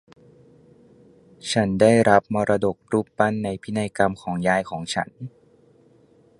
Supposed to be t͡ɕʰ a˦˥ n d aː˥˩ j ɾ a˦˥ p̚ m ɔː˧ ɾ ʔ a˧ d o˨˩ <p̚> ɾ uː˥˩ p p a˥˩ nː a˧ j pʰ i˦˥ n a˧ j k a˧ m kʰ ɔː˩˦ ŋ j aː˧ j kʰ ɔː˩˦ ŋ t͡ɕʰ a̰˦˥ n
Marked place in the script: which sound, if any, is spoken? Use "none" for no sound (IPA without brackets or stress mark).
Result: k̚